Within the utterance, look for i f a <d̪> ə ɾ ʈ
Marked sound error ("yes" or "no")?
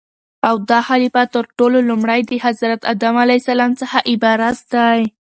yes